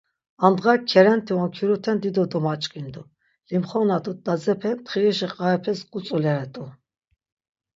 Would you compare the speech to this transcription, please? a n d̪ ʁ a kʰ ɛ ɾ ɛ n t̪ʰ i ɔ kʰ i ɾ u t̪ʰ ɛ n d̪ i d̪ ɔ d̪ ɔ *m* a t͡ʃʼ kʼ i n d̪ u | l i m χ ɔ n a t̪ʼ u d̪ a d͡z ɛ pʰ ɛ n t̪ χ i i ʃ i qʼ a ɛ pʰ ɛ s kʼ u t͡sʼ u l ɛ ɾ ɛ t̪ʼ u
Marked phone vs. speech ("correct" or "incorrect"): correct